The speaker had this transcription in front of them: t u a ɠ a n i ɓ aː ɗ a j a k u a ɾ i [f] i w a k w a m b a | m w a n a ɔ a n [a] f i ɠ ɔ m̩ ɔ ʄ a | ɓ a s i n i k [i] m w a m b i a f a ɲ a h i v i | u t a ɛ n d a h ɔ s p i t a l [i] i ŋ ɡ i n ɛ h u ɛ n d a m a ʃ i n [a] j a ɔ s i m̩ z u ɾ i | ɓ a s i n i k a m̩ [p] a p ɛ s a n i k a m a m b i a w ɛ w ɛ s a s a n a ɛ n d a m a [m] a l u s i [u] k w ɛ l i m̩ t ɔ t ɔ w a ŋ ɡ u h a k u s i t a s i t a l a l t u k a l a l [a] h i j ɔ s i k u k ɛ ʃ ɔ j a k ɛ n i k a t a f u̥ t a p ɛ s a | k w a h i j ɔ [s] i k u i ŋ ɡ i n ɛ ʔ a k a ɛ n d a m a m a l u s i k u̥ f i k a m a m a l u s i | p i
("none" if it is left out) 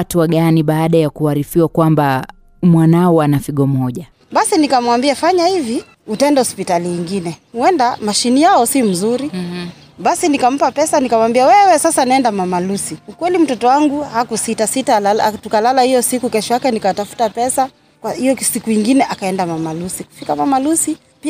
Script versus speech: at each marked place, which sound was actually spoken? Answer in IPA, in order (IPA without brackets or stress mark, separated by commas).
f, a, a, i, i, p, m, u, a, s